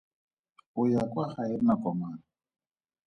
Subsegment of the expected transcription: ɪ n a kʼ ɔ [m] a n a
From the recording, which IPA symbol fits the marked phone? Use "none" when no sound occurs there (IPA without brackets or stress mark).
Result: m